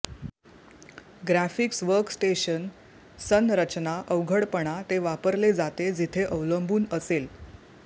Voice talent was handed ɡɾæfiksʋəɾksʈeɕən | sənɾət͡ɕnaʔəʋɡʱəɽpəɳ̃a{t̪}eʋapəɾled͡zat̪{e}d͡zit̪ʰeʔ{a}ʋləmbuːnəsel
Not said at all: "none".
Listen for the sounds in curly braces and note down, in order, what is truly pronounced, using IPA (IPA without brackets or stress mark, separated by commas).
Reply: t̪, e, ə